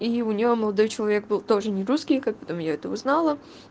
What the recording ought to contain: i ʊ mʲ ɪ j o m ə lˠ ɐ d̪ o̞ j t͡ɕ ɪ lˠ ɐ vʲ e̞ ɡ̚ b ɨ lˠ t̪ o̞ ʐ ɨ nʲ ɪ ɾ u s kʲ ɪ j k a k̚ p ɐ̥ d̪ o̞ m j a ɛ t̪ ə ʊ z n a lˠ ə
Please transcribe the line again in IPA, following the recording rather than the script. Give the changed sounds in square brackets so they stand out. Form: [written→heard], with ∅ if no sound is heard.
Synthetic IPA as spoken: i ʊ [mʲ→nʲ] ɪ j o m ə lˠ ɐ d̪ o̞ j t͡ɕ ɪ lˠ ɐ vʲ e̞ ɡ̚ b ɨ lˠ t̪ o̞ ʐ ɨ nʲ ɪ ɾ u s kʲ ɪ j k a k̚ p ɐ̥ [d̪→t̪] o̞ m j a ɛ t̪ ə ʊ z n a lˠ ə